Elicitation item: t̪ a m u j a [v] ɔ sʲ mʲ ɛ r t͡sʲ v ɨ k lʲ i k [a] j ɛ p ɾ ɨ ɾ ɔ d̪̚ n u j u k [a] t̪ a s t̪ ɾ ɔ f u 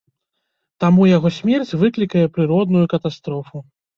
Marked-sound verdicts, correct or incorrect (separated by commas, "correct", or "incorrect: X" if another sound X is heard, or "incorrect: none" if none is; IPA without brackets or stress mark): incorrect: ɣ, incorrect: ɐ, incorrect: ɐ